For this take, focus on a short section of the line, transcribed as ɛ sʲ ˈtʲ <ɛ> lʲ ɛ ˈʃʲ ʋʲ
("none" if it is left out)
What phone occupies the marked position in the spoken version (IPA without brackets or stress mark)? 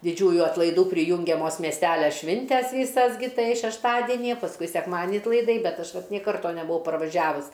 æ